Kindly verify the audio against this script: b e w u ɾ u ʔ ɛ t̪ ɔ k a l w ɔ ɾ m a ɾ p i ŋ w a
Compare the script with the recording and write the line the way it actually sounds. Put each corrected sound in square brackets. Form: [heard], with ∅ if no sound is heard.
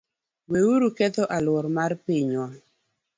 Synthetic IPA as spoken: [w] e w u ɾ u [k] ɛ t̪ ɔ [ʔ] a l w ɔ ɾ m a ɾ p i [ɲ] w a